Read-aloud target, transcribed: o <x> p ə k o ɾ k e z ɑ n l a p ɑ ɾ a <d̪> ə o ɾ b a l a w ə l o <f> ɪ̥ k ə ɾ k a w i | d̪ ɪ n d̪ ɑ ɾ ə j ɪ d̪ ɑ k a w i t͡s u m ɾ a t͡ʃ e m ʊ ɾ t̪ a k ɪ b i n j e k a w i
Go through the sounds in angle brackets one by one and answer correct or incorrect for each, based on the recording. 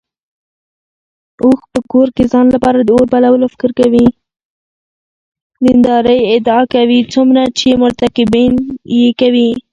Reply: correct, correct, correct

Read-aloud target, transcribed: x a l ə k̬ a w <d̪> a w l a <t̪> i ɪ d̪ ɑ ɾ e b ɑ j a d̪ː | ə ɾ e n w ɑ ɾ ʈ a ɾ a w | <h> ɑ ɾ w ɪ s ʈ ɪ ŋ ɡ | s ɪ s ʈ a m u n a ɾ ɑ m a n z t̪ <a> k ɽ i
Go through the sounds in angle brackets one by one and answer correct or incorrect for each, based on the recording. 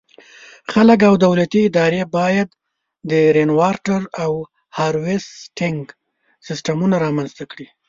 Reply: correct, correct, correct, correct

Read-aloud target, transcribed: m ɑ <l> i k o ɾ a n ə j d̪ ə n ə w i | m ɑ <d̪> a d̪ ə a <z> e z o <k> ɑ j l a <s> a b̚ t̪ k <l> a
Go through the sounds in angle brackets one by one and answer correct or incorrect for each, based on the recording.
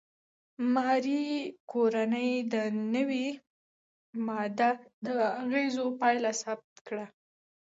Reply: incorrect: ɾ, correct, incorrect: ɣ, incorrect: p, correct, incorrect: ɽ

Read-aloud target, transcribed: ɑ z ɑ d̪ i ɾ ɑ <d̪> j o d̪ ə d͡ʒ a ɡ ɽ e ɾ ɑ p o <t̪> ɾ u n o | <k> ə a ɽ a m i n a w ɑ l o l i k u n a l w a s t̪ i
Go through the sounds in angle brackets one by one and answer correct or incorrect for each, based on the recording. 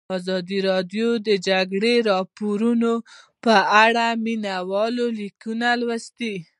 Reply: correct, incorrect: none, incorrect: p

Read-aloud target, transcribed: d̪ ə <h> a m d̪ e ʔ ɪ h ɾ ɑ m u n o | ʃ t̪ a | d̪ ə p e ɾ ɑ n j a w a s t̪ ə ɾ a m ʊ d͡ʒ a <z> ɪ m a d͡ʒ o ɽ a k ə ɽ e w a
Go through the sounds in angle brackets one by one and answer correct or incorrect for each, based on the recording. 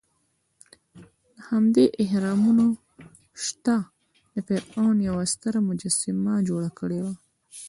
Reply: correct, incorrect: s

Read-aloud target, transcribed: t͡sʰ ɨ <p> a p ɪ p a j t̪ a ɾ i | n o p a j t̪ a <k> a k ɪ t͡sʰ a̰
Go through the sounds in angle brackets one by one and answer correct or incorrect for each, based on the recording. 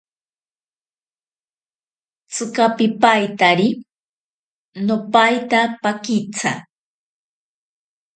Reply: incorrect: k, incorrect: p

